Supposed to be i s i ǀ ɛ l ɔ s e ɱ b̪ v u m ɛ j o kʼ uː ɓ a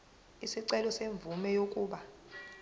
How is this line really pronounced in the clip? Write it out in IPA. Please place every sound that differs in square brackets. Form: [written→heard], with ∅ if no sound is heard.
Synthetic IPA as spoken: i s i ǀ ɛ l ɔ s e ɱ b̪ v u m ɛ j o kʼ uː ɓ a